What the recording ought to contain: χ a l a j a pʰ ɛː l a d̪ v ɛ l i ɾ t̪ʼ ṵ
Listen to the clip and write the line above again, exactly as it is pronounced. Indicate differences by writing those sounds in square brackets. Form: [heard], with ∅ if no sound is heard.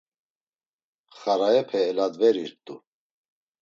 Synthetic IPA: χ a [ɾ] a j [ɛ] pʰ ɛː l a d̪ v ɛ [ɾ] i ɾ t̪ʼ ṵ